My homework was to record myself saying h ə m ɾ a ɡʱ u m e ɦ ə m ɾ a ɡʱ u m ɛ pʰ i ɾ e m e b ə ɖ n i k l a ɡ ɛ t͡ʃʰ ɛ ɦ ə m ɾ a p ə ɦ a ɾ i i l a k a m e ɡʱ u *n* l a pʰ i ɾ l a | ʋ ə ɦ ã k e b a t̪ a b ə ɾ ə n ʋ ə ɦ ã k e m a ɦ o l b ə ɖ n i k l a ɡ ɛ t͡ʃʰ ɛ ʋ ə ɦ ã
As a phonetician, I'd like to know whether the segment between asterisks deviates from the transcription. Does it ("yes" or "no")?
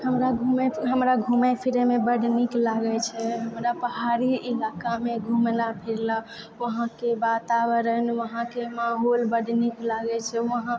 yes